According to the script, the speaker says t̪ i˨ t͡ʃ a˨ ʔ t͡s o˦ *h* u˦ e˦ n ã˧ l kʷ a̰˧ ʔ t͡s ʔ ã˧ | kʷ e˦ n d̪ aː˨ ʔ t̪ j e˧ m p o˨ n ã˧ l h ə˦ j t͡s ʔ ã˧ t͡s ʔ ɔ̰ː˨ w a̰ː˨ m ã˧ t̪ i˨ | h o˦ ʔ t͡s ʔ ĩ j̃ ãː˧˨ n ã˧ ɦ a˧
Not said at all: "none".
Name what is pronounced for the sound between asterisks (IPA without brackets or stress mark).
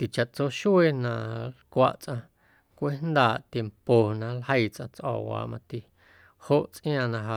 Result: ʃ